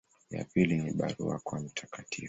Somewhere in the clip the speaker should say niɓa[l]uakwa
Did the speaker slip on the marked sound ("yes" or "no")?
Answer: yes